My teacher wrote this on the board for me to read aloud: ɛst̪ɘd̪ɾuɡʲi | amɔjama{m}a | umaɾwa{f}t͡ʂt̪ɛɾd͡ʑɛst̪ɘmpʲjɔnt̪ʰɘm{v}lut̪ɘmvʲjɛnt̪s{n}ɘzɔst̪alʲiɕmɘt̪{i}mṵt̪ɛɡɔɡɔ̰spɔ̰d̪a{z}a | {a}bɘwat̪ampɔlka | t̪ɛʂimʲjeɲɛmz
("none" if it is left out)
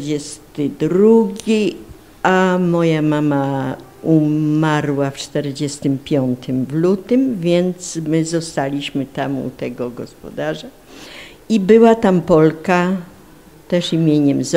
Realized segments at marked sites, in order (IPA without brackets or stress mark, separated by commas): m, f, v, m, a, ʐ, i